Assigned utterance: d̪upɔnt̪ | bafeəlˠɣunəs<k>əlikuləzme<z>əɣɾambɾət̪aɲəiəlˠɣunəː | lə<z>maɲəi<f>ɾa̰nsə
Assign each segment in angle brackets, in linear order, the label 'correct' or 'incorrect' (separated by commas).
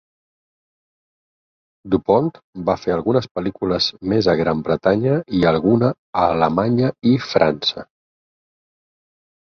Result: incorrect, correct, incorrect, correct